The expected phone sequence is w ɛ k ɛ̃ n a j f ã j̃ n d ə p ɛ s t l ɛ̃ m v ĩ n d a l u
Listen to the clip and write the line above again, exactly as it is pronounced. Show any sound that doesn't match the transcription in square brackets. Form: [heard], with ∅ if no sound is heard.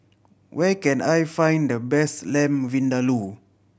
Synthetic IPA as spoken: w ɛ k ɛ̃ n a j f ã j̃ n d ə [b] ɛ s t l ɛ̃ m v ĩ n d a l u

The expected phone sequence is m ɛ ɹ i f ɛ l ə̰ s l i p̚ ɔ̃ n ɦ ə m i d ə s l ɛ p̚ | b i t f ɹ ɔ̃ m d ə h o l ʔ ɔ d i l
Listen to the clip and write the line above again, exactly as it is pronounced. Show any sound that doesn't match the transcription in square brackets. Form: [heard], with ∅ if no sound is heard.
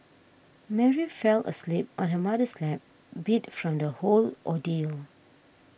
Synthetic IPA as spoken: m ɛ ɹ i f ɛ l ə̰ s l i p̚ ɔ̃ n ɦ ə m [a] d ə s l ɛ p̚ | b i t f ɹ ɔ̃ m d ə h o l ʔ ɔ d i l

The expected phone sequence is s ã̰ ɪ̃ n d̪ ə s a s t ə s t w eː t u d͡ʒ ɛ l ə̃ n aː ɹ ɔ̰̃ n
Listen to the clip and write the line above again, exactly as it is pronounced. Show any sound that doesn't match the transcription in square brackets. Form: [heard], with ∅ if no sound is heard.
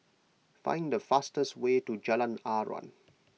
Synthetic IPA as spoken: [f] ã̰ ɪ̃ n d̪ ə [f] a s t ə s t w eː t u d͡ʒ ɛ l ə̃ n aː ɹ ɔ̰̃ n

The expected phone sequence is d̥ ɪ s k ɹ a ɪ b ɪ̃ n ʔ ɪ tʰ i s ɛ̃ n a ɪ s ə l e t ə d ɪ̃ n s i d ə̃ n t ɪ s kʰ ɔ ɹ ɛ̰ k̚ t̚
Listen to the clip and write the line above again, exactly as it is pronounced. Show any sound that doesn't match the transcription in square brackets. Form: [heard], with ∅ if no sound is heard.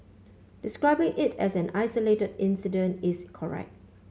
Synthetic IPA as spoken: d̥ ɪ s k ɹ a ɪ b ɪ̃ [ŋ] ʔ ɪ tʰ [ɛ] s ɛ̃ n a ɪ s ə l e t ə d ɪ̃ n s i d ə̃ n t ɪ s kʰ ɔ ɹ ɛ̰ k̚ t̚

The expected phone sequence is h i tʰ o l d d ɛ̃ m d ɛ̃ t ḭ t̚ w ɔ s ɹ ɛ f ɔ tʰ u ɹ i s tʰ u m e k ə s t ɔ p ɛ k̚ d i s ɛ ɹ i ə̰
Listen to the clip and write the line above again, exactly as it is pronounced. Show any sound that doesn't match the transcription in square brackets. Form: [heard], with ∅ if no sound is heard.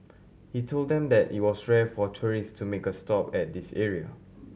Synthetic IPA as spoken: h i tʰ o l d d ɛ̃ m d [ɛ] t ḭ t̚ w ɔ s ɹ ɛ f ɔ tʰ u ɹ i s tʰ u m e k ə s t ɔ p ɛ [t̚] d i s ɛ ɹ i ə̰

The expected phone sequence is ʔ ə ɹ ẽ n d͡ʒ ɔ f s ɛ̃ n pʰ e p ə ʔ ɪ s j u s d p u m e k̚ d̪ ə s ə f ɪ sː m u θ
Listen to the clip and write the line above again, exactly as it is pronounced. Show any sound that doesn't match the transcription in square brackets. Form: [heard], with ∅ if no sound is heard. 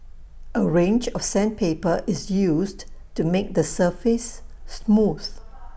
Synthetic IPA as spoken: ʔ ə ɹ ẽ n d͡ʒ ɔ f s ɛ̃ n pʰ e p ə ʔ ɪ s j u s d [t] u m e k̚ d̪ ə s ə f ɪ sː m u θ

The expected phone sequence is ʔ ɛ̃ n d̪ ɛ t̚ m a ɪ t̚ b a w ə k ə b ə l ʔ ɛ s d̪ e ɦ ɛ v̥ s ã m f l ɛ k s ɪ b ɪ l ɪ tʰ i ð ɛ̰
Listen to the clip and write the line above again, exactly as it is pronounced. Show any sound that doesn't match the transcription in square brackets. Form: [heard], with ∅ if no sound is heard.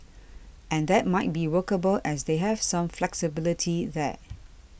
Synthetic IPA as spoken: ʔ ɛ̃ n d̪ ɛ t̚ m a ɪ t̚ b [i] w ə k ə b ə l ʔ ɛ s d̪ e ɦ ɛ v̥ s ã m f l ɛ k s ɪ b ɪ l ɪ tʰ i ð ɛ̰

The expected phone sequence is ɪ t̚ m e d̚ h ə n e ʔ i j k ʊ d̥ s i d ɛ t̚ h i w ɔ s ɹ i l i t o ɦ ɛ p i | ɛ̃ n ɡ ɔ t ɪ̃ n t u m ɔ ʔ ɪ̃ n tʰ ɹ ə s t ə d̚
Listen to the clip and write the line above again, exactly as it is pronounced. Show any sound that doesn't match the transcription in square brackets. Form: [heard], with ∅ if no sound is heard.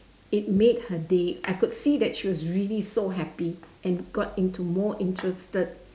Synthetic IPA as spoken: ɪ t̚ m e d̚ h ə [d] e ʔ [a] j k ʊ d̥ s i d ɛ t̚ [ʃ] i w ɔ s ɹ i l i [s] o ɦ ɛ p i | ɛ̃ n ɡ ɔ t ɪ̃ n t u m ɔ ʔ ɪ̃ n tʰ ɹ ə s t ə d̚

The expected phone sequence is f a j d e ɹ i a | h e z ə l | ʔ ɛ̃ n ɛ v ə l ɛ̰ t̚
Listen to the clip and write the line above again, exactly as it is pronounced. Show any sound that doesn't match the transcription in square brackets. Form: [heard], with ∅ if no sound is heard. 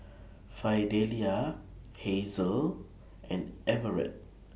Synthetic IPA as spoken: f a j d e [l] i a | h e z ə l | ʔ ɛ̃ n ɛ v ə [ɹ] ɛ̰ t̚

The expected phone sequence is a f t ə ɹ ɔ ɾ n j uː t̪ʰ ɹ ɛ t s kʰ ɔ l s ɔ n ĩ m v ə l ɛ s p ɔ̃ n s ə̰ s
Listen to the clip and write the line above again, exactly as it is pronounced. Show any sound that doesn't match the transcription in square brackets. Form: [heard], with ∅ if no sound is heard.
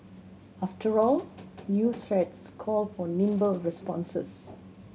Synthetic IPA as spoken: a f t ə ɹ ɔ [l] n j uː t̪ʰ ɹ ɛ t s kʰ ɔ l [f] ɔ n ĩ m [b] ə [ɹ] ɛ s p ɔ̃ n s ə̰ s

